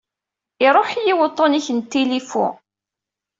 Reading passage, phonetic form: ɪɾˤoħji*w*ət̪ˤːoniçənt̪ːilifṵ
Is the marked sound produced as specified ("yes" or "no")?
yes